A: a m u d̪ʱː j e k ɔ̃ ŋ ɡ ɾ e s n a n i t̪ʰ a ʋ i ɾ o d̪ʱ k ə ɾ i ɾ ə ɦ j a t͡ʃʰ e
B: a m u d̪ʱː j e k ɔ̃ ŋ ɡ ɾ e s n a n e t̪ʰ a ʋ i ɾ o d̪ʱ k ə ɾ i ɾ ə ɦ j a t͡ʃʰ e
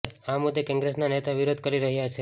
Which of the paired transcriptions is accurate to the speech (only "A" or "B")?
B